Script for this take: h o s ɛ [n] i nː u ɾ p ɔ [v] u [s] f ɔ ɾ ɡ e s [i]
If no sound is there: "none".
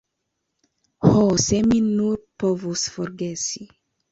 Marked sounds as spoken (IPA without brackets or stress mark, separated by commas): m, v, s, i